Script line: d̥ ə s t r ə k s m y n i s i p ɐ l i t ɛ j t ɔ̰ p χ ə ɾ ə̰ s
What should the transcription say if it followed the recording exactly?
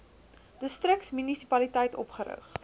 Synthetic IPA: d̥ ə s t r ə k s m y n i s i p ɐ l i t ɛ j t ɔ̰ p χ ə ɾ ə̰ χ